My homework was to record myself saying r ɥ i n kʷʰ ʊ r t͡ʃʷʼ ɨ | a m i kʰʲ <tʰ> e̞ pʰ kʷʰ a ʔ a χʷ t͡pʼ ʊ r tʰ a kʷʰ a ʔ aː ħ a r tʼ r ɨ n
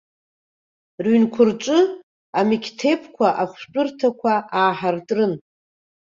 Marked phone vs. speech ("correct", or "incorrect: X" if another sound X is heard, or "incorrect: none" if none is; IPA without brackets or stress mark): correct